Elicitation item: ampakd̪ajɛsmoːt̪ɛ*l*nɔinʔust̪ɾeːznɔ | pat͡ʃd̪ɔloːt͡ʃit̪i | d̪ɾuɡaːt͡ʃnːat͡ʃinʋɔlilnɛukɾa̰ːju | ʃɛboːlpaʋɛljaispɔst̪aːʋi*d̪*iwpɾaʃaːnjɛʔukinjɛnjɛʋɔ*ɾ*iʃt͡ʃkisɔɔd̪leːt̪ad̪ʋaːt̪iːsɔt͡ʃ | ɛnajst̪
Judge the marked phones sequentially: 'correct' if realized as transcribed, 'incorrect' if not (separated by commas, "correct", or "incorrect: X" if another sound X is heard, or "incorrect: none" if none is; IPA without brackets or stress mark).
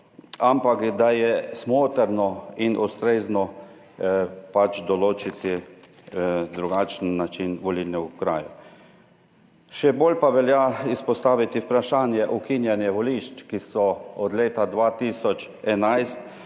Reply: incorrect: ɾ, incorrect: t̪, incorrect: l